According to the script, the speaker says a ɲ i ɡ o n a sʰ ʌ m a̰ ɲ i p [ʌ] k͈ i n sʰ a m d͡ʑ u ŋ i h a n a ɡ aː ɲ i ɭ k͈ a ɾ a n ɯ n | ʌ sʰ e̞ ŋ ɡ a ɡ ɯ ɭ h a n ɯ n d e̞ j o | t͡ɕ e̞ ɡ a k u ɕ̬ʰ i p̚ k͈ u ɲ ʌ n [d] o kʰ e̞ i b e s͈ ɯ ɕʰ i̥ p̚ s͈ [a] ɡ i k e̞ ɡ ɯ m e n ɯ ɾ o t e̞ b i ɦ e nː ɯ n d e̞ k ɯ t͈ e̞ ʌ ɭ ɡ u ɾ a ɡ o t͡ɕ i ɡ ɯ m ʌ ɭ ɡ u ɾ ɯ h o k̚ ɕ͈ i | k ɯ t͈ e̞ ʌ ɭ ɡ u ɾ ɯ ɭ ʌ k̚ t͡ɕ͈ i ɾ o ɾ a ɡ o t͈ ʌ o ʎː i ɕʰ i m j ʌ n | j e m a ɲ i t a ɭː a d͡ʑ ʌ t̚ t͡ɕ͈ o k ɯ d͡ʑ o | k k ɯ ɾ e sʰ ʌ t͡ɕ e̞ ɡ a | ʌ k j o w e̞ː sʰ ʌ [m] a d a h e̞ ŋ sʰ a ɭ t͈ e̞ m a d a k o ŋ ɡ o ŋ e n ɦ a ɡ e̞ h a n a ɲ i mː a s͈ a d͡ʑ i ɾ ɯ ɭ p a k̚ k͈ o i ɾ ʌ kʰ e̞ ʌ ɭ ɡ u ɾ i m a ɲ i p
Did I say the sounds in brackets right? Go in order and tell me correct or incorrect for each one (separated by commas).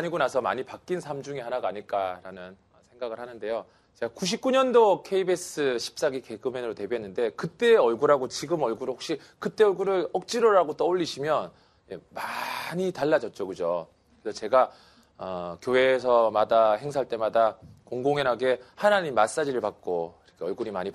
incorrect, correct, correct, correct